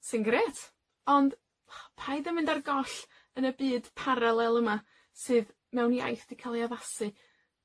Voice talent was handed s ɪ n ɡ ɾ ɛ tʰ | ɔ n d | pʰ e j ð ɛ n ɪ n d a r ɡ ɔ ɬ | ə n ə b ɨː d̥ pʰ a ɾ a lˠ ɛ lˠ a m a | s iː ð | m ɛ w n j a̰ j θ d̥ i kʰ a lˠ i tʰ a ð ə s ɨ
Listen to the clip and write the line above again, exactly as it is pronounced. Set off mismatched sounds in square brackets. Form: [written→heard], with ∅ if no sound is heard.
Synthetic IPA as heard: s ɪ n ɡ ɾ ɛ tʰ | ɔ n d | pʰ [e→a] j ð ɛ [n→m] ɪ n d a r ɡ ɔ ɬ | ə n ə b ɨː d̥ pʰ a ɾ a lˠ ɛ lˠ [a→ə] m a | s [iː→ɨː] ð | m ɛ w n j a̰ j θ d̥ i kʰ a lˠ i [tʰ→∅] a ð [ə→a] s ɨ